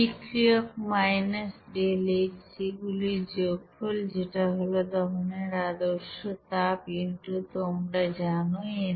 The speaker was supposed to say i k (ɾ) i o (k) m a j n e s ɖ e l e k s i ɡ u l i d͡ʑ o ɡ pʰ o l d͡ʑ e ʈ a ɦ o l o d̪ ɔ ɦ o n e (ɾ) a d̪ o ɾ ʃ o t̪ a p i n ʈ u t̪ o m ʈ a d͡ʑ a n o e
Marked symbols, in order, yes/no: yes, yes, yes

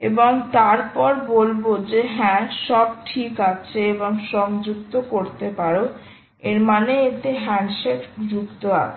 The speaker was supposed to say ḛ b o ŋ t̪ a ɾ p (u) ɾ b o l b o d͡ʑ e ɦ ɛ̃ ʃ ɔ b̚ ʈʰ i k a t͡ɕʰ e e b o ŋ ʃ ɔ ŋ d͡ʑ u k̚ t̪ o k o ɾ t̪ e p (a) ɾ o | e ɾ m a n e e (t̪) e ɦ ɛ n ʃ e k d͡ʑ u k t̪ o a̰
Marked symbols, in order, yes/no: no, yes, yes

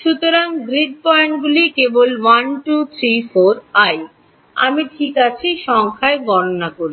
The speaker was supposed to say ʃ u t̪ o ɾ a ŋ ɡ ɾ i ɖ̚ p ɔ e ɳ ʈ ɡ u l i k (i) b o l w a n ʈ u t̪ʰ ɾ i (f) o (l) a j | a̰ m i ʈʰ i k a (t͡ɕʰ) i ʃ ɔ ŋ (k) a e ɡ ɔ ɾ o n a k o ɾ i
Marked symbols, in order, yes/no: no, yes, no, yes, no

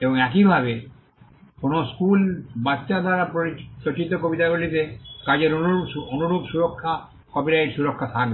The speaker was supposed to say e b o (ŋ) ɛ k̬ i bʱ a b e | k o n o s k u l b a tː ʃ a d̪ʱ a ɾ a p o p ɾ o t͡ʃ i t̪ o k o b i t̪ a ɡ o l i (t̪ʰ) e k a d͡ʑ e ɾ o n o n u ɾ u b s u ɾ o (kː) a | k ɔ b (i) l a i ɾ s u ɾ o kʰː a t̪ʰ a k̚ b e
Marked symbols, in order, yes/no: yes, no, no, yes

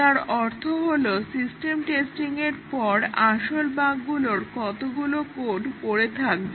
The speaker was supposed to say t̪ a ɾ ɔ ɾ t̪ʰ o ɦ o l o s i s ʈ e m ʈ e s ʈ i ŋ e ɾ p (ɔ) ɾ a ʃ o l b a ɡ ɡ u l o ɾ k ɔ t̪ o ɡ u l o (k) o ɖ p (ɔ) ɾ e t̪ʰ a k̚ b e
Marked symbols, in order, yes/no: yes, yes, no

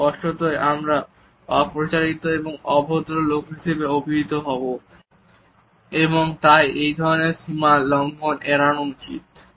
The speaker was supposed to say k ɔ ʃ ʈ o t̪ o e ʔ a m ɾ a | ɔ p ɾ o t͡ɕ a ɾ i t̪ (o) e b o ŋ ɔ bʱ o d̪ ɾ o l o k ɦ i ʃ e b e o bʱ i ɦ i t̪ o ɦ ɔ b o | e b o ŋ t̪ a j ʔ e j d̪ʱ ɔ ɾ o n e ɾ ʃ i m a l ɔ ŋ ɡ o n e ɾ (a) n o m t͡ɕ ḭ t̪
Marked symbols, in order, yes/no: yes, yes

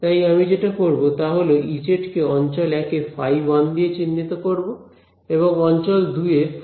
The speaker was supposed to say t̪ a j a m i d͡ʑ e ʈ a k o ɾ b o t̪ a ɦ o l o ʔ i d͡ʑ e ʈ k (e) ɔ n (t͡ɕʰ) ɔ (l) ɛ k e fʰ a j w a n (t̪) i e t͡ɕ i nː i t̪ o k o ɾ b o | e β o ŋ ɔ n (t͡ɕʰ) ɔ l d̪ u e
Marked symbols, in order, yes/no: yes, no, yes, no, no

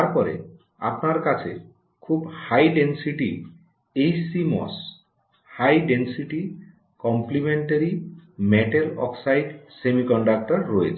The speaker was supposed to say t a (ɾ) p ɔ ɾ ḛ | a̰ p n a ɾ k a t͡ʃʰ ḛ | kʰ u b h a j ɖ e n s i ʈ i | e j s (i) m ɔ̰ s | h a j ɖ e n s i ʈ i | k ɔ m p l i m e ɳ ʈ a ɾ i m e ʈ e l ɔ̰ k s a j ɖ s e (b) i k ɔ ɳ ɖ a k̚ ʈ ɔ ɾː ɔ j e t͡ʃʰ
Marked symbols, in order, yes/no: yes, yes, no

